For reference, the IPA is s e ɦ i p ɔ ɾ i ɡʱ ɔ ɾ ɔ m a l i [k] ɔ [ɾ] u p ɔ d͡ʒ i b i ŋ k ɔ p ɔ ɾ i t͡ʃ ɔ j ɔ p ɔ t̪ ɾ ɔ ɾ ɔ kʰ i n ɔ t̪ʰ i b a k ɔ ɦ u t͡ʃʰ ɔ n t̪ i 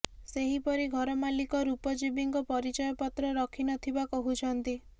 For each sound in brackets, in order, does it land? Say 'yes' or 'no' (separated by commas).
yes, yes